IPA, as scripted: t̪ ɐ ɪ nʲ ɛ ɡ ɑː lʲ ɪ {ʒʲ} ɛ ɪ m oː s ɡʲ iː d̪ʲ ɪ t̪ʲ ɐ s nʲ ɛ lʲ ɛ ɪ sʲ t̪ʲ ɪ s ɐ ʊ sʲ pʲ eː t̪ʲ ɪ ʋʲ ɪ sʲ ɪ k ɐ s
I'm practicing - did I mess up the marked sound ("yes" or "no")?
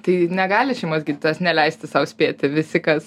yes